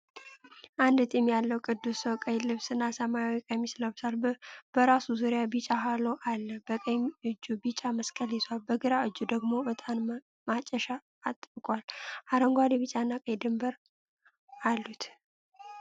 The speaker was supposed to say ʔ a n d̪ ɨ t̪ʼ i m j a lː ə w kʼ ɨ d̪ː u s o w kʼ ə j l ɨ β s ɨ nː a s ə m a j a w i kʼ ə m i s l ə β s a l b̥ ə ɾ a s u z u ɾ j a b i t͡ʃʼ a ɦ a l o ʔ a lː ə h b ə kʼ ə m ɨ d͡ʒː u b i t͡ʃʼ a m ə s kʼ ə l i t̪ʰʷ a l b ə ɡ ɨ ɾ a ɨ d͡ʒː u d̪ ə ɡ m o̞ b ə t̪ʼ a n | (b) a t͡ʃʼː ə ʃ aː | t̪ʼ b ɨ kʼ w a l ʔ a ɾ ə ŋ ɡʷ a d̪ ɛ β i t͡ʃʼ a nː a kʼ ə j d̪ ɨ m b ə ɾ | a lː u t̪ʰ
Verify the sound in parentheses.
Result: incorrect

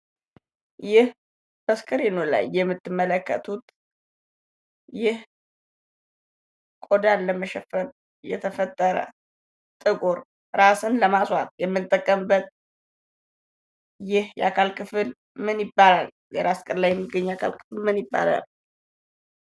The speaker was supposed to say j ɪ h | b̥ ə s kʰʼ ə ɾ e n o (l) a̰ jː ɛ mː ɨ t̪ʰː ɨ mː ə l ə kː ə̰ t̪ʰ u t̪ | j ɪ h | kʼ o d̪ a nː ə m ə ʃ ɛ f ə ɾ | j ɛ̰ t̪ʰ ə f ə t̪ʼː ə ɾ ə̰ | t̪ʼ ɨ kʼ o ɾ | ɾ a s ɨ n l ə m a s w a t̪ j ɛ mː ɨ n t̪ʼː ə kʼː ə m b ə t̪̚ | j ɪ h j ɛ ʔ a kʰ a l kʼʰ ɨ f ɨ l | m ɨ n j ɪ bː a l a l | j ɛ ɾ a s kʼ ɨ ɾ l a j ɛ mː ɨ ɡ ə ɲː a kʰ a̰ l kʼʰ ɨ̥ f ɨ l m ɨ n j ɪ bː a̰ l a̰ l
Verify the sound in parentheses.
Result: correct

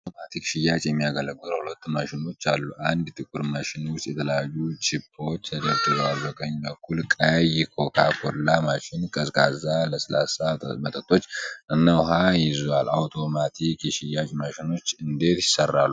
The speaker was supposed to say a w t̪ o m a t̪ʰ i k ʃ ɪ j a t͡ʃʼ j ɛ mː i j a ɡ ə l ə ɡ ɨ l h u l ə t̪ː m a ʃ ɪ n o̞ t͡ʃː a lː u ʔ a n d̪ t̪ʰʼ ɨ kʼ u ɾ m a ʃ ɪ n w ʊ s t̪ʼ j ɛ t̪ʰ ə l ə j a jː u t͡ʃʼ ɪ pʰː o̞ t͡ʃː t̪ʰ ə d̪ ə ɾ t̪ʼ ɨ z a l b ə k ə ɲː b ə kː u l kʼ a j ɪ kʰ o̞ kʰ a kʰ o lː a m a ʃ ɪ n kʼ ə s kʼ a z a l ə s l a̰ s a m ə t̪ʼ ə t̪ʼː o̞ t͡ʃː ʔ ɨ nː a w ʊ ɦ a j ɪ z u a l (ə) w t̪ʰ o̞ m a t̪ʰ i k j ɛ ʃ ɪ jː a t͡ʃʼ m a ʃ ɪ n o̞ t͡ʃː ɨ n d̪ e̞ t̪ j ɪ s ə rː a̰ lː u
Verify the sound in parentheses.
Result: incorrect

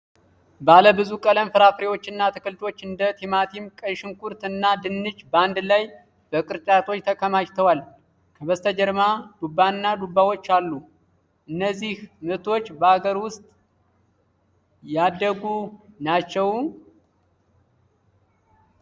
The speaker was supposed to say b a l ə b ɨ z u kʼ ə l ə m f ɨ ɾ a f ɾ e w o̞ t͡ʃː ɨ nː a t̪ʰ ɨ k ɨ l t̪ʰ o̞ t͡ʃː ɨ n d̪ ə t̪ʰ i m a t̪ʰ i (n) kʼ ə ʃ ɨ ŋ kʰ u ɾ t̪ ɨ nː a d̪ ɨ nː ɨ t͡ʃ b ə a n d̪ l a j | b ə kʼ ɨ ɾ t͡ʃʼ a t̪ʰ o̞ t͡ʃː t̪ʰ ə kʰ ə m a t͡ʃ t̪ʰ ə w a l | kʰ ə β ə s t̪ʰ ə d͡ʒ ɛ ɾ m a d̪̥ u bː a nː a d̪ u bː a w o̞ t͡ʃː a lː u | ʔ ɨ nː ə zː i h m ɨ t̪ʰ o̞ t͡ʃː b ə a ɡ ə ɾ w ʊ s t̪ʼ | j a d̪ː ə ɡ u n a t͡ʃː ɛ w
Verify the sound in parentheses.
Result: incorrect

